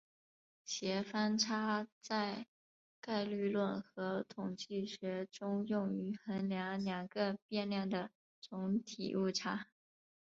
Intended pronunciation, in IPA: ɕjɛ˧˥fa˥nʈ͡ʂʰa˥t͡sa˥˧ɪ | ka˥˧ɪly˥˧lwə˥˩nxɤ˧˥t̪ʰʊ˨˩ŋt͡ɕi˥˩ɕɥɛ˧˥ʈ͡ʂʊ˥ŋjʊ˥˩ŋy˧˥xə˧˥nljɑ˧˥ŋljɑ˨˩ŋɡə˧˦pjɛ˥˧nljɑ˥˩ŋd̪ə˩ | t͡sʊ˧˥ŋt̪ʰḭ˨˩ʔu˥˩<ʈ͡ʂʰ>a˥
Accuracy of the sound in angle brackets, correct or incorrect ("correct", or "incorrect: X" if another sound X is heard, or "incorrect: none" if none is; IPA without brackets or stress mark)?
correct